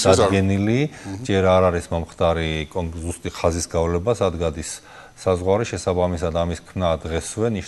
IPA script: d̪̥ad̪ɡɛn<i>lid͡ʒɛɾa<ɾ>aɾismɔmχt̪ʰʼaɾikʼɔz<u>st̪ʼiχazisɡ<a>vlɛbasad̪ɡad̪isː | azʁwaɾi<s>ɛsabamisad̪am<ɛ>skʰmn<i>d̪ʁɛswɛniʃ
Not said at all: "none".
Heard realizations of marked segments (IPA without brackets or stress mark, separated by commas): i, ɾ, u, a, ʃ, i, a